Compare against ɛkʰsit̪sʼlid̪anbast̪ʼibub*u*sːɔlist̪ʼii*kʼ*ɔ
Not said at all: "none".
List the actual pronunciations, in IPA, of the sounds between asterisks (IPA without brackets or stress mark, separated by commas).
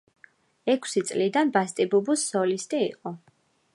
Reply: u, qʼ